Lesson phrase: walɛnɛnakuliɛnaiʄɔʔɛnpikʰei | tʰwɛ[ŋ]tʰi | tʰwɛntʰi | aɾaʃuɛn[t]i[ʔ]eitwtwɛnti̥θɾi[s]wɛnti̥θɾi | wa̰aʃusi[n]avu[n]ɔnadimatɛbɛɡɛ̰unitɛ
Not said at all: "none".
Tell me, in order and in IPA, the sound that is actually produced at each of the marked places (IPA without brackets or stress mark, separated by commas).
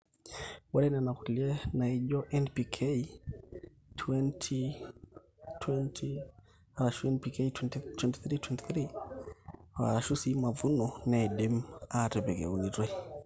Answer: n, p, k, t, m, n